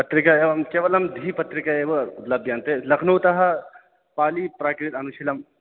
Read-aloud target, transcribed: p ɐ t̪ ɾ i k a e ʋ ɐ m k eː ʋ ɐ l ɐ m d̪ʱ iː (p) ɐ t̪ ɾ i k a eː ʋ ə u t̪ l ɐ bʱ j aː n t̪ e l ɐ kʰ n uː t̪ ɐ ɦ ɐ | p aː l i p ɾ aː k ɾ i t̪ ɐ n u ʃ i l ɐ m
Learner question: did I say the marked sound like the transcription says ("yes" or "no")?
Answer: yes